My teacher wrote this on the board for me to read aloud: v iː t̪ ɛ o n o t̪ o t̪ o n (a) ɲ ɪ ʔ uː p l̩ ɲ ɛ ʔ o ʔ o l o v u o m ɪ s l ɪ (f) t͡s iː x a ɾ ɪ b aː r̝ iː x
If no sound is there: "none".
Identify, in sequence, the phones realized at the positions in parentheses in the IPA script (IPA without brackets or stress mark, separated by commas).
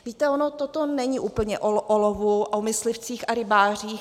ɛ, f